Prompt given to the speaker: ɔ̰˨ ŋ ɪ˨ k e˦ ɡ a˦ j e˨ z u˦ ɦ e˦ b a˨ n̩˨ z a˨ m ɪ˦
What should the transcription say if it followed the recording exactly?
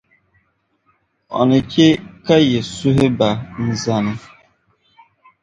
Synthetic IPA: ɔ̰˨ n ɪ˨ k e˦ k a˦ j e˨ s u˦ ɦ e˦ b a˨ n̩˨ z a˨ n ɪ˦